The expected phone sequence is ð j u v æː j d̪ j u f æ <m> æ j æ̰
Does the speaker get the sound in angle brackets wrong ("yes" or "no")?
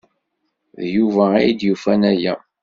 yes